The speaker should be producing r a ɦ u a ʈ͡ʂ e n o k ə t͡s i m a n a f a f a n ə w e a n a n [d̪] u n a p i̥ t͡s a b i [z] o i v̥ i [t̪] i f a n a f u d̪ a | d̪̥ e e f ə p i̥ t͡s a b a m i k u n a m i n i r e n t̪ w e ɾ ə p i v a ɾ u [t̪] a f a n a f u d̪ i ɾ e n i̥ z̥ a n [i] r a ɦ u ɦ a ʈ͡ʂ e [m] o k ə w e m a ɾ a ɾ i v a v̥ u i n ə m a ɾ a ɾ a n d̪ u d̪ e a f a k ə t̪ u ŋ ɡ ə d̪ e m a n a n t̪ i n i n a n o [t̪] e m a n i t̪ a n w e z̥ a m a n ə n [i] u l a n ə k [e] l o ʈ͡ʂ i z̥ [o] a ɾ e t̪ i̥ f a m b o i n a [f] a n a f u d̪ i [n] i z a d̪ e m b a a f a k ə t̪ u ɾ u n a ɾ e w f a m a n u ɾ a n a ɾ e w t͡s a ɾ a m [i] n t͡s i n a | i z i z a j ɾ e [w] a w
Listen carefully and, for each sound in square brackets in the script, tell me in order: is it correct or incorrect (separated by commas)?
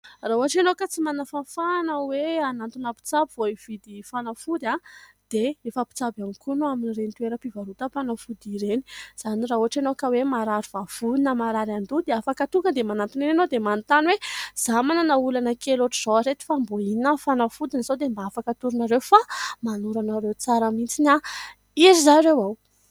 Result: incorrect, incorrect, incorrect, correct, correct, incorrect, incorrect, incorrect, correct, correct, correct, correct, correct, correct